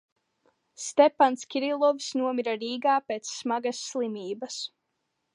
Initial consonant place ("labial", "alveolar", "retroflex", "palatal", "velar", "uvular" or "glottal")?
alveolar